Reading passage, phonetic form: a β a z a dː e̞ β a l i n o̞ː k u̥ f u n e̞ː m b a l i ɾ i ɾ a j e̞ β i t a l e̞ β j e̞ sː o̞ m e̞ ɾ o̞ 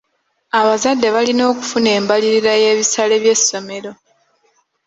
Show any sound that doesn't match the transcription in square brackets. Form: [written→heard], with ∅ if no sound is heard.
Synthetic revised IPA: a β a z a dː e̞ β a l i n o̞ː k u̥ f u n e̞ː m b a l i ɾ i ɾ a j e̞ β i [t→s] a l e̞ β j e̞ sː o̞ m e̞ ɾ o̞